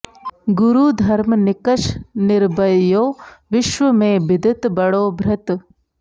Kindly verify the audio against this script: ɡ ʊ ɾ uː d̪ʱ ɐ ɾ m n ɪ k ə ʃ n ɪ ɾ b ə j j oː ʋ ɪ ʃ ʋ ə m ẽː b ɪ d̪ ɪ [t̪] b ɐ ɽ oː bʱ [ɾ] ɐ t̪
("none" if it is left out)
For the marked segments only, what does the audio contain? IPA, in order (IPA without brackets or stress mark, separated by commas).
t̪, ɾ